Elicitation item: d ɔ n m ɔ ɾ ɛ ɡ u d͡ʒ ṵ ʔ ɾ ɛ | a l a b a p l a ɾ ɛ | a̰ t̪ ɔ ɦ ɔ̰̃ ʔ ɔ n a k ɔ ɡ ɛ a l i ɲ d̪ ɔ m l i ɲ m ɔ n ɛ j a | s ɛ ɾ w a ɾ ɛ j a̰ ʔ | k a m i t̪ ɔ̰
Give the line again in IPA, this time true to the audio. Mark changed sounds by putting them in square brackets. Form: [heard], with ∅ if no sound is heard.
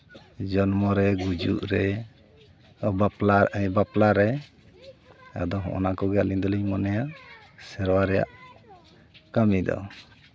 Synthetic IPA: [d͡ʒ] ɔ n m ɔ ɾ ɛ ɡ u d͡ʒ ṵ ʔ ɾ ɛ | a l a b a p l a ɾ ɛ | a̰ [d̪] ɔ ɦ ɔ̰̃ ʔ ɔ n a k ɔ ɡ ɛ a l i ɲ d̪ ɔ [∅] l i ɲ m ɔ n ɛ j a | s ɛ ɾ w a ɾ ɛ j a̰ ʔ | k a m i [d̪] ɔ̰